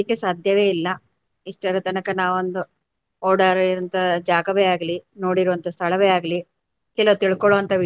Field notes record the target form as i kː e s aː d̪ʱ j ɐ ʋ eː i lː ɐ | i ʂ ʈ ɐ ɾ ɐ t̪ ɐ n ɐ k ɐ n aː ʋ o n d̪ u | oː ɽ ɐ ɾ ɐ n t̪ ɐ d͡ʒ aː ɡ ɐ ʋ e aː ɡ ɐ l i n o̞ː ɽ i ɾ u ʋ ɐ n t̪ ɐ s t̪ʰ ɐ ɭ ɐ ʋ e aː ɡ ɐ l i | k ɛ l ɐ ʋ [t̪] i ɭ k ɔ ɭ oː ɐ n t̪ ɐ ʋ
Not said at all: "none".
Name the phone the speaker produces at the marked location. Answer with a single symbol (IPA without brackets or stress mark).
t̪